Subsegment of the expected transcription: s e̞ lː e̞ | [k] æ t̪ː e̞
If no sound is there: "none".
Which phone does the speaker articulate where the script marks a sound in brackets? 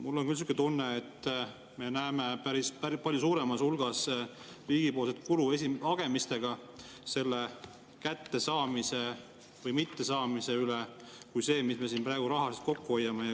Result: k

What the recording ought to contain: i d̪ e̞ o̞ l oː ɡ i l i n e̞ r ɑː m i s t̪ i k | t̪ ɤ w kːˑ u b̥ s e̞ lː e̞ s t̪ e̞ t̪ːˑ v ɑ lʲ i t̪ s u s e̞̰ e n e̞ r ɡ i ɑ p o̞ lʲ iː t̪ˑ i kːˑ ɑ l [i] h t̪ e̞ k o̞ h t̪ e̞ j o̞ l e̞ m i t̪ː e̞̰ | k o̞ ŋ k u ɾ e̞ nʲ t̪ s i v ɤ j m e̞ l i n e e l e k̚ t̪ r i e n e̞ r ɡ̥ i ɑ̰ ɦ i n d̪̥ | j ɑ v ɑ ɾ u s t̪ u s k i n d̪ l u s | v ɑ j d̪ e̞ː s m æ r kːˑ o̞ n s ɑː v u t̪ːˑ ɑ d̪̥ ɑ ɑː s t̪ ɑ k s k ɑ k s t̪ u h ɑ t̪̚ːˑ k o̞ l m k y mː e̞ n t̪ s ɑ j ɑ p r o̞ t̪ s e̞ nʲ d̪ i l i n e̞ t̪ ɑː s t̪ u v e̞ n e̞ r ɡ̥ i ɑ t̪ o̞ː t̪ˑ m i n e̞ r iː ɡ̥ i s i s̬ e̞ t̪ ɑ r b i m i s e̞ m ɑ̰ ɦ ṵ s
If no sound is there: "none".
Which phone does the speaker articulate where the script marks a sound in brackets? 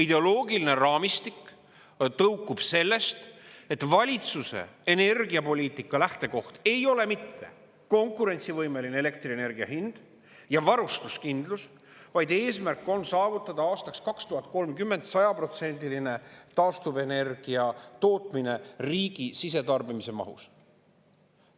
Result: æ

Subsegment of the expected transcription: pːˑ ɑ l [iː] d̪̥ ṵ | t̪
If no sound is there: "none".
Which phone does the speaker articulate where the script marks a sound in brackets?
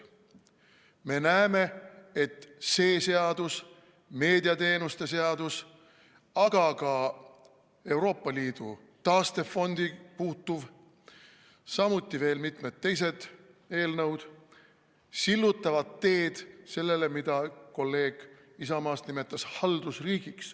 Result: iː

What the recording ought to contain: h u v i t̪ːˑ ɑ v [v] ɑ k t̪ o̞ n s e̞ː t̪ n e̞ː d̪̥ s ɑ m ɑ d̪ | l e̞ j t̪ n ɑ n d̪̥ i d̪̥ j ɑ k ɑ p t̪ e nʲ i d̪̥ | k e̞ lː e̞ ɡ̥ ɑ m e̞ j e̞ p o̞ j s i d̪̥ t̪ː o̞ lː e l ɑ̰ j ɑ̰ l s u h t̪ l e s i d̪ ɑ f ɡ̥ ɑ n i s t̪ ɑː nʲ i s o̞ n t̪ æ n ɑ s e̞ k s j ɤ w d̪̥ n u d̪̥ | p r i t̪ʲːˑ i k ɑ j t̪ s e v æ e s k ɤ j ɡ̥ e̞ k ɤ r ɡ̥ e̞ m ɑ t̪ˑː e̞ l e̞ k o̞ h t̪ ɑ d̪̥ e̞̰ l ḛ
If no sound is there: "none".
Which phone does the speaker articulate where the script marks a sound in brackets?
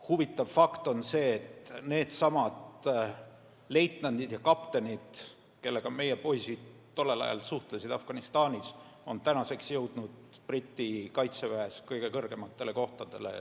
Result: f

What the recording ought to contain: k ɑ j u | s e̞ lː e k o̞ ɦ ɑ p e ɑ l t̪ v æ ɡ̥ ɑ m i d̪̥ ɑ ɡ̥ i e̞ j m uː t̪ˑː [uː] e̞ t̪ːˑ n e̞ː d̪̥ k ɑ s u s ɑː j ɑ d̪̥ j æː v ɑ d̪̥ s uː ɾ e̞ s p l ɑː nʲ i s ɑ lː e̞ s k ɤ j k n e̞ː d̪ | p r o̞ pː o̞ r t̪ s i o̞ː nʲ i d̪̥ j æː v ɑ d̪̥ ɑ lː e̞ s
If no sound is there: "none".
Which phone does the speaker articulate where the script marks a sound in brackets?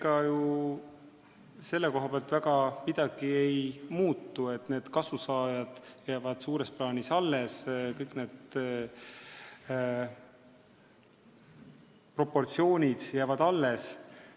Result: u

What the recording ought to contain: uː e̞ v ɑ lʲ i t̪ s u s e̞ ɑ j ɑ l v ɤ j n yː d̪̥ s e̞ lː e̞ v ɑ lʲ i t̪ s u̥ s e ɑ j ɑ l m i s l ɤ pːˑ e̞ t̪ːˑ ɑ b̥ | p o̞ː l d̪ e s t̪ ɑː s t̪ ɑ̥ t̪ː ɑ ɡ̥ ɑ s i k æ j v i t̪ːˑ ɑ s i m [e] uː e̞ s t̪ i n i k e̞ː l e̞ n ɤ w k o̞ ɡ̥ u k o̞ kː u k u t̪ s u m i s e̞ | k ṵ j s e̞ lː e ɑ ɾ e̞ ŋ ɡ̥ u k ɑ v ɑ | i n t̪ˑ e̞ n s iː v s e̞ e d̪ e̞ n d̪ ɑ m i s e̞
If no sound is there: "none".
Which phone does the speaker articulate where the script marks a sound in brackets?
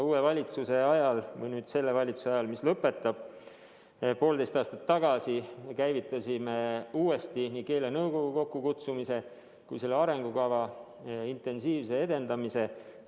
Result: e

